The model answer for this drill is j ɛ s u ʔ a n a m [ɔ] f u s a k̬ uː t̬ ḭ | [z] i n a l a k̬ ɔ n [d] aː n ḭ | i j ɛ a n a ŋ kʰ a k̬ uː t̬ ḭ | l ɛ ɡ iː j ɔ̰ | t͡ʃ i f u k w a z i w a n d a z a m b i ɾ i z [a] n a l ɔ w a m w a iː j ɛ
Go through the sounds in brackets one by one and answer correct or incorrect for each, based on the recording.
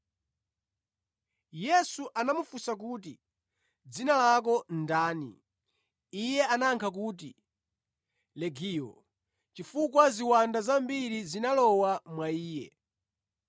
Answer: incorrect: u, incorrect: d͡z, correct, incorrect: i

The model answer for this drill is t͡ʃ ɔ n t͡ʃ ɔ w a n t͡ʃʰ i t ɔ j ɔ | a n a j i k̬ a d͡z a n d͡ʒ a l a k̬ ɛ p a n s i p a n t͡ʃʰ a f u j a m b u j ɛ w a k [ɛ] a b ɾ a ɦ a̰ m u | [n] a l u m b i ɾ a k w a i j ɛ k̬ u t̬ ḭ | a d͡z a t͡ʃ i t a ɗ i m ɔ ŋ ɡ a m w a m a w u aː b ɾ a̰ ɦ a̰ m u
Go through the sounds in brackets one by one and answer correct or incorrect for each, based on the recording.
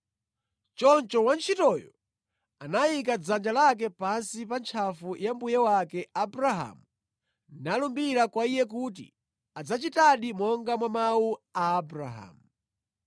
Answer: correct, correct

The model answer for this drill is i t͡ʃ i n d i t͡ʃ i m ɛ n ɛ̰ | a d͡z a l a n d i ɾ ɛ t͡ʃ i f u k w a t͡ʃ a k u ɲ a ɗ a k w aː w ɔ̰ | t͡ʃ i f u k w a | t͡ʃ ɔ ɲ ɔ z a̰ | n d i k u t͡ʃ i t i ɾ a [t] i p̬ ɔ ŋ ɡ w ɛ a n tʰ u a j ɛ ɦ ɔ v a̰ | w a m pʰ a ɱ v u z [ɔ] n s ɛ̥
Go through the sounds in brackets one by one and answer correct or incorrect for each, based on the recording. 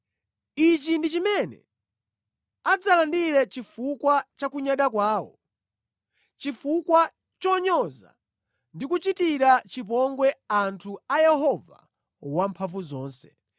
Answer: incorrect: t͡ʃ, incorrect: ɔː

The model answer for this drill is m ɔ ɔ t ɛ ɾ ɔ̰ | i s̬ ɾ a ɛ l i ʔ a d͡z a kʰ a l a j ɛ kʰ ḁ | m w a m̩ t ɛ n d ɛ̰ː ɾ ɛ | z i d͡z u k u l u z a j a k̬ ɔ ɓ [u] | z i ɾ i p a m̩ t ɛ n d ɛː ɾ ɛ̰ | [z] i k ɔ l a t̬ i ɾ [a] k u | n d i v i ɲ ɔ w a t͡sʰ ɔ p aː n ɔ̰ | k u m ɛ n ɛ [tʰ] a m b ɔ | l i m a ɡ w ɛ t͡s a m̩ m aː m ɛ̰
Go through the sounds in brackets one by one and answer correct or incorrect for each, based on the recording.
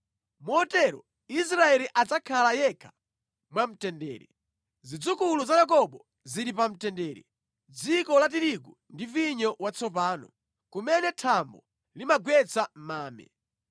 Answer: incorrect: ɔ, incorrect: d͡z, incorrect: i, correct

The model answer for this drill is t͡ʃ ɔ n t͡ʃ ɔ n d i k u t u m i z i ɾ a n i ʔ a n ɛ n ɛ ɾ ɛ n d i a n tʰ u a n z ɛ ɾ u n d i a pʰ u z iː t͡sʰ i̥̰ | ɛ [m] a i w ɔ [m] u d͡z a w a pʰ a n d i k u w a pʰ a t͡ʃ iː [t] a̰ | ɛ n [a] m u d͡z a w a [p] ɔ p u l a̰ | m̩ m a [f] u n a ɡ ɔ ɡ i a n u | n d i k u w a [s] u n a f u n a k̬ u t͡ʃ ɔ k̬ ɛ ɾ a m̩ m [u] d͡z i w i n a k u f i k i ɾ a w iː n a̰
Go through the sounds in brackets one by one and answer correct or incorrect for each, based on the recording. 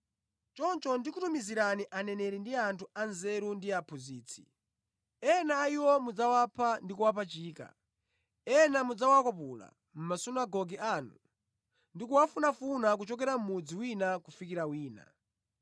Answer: incorrect: n, correct, incorrect: k, correct, incorrect: k, incorrect: s, incorrect: f, correct

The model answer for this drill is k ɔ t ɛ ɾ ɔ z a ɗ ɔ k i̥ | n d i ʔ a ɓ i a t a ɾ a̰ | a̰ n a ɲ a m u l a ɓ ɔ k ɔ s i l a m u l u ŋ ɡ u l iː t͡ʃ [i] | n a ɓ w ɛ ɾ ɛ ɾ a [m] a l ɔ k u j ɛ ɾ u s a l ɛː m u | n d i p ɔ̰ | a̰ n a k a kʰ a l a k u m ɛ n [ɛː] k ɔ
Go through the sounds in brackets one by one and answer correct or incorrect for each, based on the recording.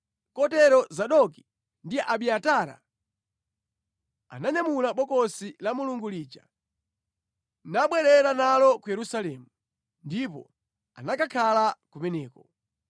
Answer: incorrect: a, incorrect: n, correct

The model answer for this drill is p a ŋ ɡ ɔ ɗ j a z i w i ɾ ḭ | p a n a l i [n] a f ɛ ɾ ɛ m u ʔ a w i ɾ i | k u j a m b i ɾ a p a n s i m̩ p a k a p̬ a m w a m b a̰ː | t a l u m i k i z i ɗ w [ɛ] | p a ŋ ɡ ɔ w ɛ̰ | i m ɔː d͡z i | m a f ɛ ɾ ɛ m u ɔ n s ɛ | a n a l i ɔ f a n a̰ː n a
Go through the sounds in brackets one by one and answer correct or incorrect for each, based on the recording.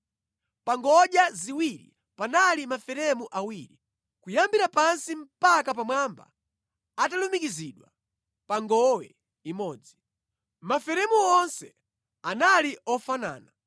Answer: incorrect: m, incorrect: a

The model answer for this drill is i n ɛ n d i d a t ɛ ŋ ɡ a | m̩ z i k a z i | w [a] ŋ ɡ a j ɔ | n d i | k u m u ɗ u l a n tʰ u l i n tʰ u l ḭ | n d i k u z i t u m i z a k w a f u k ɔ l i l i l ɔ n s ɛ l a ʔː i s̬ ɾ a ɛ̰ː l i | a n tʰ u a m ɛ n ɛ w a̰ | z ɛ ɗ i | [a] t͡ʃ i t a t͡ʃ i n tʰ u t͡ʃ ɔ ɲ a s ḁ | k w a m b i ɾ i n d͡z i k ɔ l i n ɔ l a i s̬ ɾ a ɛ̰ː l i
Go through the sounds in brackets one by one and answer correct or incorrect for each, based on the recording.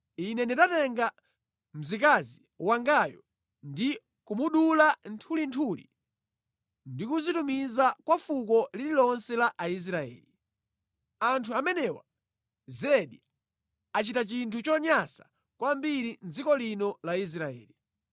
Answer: correct, correct

